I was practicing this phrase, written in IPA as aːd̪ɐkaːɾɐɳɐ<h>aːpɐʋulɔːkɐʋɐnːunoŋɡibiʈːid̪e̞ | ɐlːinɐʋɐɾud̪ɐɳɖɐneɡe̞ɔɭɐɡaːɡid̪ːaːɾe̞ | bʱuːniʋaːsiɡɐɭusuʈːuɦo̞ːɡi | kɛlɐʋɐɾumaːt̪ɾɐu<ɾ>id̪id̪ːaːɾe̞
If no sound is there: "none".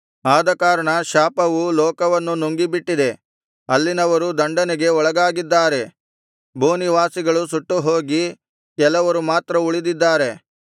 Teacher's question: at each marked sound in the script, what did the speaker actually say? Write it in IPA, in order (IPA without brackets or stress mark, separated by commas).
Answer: ʃ, ɭ